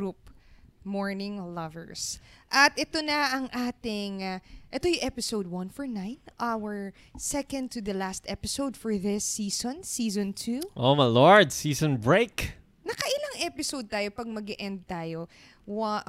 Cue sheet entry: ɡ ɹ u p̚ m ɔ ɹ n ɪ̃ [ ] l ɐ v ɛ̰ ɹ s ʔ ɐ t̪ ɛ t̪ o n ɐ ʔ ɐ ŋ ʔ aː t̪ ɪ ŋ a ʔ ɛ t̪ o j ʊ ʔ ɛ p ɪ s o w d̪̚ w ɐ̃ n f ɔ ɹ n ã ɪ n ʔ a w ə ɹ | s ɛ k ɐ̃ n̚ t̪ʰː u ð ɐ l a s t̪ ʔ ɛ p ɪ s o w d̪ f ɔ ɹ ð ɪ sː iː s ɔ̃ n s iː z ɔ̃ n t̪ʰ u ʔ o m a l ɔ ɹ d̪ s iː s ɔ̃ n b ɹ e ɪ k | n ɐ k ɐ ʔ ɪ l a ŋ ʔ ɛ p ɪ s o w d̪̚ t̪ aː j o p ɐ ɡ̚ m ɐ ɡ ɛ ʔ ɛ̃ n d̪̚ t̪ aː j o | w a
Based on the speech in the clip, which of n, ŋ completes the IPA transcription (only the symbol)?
ŋ